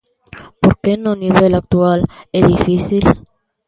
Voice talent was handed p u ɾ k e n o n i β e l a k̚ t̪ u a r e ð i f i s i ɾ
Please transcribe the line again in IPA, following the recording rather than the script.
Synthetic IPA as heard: p o ɾ k e n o n i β e l a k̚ t̪ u a l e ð i f i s i l